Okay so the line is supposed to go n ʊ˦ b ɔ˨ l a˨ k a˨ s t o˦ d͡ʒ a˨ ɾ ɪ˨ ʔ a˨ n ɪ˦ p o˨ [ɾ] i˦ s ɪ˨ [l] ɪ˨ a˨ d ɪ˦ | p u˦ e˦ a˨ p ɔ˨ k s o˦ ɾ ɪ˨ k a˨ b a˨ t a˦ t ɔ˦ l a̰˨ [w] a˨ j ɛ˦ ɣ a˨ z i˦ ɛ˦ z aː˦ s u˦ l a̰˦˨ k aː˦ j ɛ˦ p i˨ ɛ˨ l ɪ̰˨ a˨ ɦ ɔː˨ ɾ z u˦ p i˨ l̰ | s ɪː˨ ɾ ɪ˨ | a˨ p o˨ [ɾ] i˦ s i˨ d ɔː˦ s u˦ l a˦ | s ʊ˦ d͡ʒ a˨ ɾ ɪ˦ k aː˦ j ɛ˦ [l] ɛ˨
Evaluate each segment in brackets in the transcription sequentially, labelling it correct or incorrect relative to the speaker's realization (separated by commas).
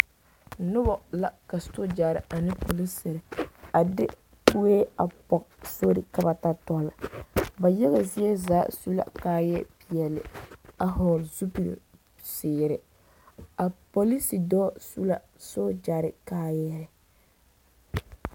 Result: incorrect, incorrect, incorrect, incorrect, incorrect